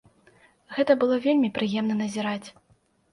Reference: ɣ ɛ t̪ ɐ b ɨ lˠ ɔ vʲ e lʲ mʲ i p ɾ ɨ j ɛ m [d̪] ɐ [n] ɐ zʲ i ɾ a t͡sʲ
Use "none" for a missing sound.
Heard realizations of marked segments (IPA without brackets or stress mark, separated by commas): n̪, n